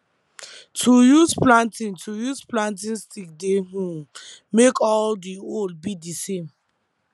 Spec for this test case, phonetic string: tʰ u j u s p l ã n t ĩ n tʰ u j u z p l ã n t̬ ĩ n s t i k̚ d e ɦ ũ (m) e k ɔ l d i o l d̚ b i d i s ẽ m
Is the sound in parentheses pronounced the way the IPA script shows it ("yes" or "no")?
yes